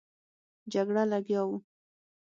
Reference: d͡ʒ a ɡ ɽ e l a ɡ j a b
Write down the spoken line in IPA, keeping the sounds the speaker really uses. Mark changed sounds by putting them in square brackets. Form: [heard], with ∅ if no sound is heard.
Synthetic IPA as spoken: d͡ʒ a ɡ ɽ [a] l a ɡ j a [w]